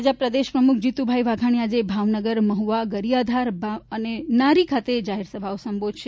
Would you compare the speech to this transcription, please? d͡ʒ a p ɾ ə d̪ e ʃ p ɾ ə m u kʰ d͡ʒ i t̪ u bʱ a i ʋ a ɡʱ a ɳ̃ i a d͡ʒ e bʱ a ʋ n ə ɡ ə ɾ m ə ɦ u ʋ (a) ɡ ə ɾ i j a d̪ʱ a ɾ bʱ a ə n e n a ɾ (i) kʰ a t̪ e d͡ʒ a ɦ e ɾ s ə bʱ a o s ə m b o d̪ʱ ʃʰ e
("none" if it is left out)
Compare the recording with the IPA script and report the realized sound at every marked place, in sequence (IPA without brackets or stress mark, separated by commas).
a, i